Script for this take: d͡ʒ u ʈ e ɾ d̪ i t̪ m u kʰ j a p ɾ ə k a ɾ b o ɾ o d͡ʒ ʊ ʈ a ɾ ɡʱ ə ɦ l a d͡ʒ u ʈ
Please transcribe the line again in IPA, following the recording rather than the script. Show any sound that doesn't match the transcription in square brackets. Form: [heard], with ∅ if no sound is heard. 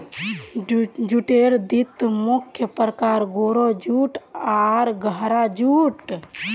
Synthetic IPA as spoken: d͡ʒ u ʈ e ɾ d̪ i t̪ m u kʰ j [ə] p ɾ ə k a ɾ [ɡ] o ɾ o d͡ʒ [u] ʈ a ɾ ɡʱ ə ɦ [ɾ] a d͡ʒ u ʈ